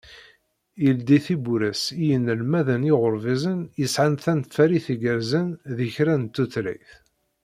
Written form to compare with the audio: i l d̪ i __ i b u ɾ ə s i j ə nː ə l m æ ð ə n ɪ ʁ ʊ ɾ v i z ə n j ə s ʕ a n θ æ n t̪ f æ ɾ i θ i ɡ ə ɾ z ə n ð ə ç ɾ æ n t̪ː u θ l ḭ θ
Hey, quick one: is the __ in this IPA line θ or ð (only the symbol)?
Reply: θ